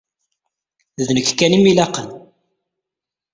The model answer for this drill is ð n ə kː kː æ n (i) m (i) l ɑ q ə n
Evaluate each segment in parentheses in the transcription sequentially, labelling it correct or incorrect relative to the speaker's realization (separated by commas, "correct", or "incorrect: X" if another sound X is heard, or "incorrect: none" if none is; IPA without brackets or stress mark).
correct, correct